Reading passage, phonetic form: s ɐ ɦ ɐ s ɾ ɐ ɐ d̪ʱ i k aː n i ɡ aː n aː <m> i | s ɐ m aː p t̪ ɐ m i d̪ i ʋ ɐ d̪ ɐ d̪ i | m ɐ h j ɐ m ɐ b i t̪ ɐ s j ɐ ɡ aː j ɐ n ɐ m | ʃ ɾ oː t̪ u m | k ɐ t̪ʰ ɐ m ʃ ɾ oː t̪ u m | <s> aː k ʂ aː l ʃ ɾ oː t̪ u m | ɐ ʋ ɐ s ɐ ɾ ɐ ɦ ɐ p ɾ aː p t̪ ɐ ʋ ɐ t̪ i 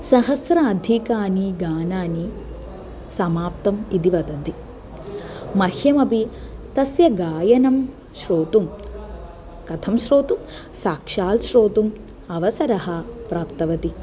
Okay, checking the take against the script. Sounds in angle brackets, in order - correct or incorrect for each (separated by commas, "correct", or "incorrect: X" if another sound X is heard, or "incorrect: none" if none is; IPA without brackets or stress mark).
incorrect: n, correct